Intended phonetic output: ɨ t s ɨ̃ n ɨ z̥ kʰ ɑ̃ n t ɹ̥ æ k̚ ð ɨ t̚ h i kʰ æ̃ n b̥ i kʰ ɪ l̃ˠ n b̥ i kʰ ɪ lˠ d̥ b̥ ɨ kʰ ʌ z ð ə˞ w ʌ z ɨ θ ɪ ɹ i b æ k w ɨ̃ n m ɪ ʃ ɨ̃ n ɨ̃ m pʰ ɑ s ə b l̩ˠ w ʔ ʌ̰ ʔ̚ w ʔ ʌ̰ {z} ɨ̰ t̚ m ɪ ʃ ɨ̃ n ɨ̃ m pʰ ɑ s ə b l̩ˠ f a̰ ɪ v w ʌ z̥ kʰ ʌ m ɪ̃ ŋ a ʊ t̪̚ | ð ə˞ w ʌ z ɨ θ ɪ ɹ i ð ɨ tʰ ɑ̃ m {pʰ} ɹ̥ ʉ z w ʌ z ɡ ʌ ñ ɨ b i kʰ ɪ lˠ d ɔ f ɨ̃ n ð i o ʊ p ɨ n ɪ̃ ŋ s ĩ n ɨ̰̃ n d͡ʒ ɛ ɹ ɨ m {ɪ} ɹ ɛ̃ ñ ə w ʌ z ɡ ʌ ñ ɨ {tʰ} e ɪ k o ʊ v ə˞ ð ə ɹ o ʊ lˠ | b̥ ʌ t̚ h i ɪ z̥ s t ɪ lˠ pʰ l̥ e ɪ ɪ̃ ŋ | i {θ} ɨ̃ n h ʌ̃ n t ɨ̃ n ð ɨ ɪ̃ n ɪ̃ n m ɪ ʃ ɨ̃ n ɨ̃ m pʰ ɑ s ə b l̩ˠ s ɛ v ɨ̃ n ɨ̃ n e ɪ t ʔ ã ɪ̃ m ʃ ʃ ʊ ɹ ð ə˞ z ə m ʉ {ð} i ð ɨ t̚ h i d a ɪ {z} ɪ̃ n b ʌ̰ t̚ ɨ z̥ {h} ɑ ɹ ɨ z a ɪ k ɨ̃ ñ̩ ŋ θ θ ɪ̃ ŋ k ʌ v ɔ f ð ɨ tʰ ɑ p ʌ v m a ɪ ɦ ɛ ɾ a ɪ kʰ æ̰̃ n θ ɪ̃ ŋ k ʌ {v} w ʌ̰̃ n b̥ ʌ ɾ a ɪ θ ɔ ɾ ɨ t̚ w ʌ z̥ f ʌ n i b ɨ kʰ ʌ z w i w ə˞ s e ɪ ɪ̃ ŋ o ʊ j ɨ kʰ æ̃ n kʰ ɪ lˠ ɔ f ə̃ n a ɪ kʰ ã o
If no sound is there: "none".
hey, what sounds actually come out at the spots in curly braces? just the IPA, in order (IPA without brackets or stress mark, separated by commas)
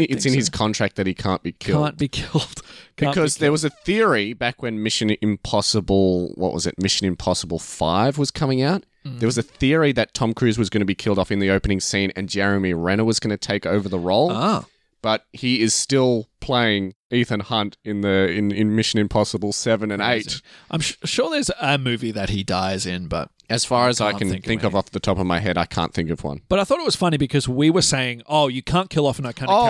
z, kʰ, i, tʰ, θ, v, z, f, v